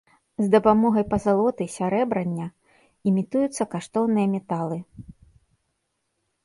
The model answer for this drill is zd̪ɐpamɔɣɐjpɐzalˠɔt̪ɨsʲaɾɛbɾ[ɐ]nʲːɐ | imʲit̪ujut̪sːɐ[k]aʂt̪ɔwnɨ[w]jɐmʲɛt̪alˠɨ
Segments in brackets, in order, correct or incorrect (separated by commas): correct, correct, incorrect